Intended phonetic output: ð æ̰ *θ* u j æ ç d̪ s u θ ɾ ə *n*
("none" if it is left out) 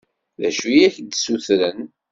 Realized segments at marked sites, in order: ʃ, n

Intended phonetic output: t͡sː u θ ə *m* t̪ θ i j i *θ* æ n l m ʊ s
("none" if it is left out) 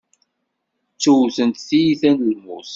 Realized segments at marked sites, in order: n, θ

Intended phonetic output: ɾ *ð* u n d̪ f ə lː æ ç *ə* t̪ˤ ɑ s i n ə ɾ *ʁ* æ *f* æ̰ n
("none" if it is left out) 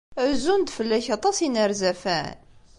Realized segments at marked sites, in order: z, ɑ, z, f

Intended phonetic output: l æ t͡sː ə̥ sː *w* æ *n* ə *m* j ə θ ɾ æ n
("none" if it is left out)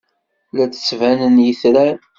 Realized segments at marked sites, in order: v, n, n

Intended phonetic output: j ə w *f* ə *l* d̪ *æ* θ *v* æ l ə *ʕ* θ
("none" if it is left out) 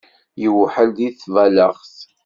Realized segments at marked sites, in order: ħ, l, i, v, ʁ

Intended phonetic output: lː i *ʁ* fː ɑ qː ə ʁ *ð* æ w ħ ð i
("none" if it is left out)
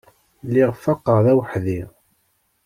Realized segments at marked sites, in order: ʁ, ð

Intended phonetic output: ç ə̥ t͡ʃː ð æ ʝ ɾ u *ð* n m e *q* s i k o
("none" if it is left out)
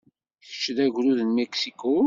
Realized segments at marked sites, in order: ð, k

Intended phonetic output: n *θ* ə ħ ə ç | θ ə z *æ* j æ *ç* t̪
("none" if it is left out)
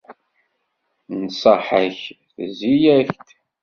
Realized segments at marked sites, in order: s, i, ç

